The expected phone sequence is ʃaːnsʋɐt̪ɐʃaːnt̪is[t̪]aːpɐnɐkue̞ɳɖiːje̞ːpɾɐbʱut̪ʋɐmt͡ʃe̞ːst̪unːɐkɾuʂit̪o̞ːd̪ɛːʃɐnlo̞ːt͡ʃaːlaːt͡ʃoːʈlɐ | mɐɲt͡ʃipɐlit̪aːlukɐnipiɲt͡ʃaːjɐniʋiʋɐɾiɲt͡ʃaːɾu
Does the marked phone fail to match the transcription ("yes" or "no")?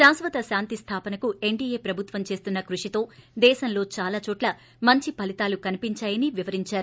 yes